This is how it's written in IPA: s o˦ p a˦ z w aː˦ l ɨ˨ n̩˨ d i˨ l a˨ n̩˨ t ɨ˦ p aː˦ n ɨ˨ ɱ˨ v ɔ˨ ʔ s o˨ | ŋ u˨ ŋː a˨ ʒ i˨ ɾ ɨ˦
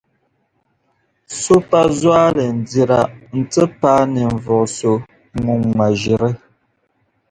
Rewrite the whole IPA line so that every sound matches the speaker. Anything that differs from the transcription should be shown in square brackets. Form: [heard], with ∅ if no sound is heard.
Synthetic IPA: s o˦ p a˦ z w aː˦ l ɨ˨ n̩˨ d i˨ [ɾ] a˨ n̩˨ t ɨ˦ p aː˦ n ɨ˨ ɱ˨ v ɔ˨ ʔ s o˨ | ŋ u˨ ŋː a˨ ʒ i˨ ɾ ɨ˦